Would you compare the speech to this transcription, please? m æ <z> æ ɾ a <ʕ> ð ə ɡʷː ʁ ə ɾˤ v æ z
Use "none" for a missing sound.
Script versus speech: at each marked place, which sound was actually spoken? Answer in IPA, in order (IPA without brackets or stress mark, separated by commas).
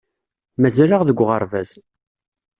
z, ʁ